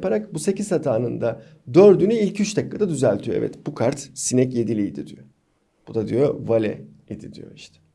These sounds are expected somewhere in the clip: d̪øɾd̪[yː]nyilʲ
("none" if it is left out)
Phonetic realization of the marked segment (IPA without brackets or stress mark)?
y